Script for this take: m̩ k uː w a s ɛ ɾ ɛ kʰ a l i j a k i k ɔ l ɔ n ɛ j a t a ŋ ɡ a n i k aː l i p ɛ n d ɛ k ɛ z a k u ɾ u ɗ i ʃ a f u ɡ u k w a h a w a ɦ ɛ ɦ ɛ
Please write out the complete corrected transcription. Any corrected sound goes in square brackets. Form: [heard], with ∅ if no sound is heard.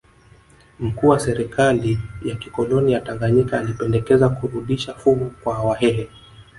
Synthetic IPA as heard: m̩ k uː w a s ɛ ɾ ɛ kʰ a l i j a k i k ɔ l ɔ n [i] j a t a ŋ ɡ a [ɲ] i k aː l i p ɛ n d ɛ k ɛ z a k u ɾ u ɗ i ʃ a f u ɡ u k w a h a w a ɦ ɛ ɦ ɛ